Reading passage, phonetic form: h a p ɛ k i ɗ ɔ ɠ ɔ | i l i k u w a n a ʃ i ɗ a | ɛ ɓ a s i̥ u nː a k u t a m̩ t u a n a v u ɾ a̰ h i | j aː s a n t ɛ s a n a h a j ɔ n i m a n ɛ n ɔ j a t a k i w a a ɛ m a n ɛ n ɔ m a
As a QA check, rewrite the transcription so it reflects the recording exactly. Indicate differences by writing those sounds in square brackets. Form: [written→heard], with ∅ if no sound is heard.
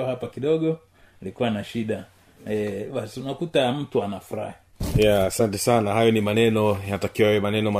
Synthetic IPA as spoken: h a p [ɛ→a] k i ɗ ɔ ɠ ɔ | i l i k u w a n a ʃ i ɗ a | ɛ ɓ a s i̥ u [nː→n] a k u t a m̩ t u a n a [v→f] u ɾ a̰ h i | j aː s a n t ɛ s a n a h a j ɔ n i m a n ɛ n ɔ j a t a k i w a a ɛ m a n ɛ n ɔ m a